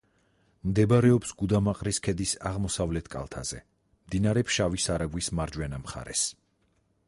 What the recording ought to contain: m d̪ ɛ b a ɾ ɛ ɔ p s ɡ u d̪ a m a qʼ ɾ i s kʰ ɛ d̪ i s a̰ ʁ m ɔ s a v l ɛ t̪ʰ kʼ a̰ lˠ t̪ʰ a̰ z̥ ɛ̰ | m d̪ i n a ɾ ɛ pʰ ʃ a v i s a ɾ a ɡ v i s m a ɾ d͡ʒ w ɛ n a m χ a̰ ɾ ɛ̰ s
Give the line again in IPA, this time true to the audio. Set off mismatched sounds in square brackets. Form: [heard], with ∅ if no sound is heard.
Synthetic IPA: m d̪ ɛ b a ɾ ɛ ɔ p s ɡ u d̪ a m a qʼ ɾ i s kʰ ɛ d̪ i s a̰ ʁ m ɔ s a v l ɛ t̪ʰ kʼ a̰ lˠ t̪ʰ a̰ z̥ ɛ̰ | m d̪ i n a ɾ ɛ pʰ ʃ a v i s a ɾ a ɡ [w] i s m a ɾ d͡ʒ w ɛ n a m χ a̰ ɾ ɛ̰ s